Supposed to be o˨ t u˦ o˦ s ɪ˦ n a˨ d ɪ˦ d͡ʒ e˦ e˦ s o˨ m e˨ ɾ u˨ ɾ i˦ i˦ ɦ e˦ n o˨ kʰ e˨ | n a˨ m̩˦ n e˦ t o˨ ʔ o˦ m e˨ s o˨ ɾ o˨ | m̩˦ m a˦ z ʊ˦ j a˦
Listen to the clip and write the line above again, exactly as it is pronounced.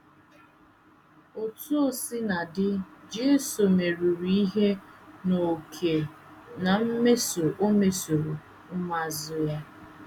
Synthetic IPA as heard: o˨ t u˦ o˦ s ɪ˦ n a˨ d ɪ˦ d͡ʒ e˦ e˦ s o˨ m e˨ ɾ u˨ ɾ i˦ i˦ ɦ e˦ n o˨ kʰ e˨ | n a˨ m̩˦ m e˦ s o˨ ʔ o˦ m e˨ s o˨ ɾ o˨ | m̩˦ m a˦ z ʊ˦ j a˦